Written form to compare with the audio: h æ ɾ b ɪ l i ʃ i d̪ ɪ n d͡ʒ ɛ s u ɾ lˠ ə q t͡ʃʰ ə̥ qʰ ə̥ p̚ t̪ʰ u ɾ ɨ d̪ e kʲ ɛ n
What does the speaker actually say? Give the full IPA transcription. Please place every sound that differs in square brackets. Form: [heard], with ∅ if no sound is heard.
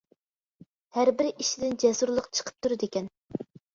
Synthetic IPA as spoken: h æ ɾ b ɪ [ɾ] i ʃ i d̪ ɪ n d͡ʒ ɛ s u ɾ lˠ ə q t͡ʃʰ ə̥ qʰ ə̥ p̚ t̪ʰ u ɾ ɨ d̪ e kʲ ɛ n